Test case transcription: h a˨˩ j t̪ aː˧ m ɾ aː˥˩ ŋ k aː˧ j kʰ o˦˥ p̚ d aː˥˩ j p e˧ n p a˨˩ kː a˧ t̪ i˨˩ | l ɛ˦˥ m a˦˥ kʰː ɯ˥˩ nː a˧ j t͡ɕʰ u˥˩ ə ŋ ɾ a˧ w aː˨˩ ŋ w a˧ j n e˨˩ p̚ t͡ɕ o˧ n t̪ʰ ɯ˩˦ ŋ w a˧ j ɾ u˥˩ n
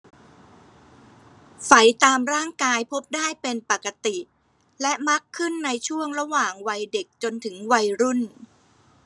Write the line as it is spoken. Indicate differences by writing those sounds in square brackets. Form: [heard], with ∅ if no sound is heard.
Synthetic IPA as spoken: [f] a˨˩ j t̪ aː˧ m ɾ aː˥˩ ŋ k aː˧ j [pʰ] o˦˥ p̚ d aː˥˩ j p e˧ n p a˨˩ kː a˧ t̪ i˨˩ | l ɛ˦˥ m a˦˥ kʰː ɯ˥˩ nː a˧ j t͡ɕʰ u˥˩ ə ŋ ɾ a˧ w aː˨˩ ŋ w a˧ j [d] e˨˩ [k̚] t͡ɕ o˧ n t̪ʰ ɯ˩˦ ŋ w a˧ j ɾ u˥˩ n